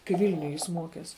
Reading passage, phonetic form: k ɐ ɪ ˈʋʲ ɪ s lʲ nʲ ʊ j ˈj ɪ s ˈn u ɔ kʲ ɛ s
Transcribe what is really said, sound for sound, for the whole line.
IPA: k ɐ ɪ ˈʋʲ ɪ lʲ nʲ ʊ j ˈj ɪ s ˈm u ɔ kʲ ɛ s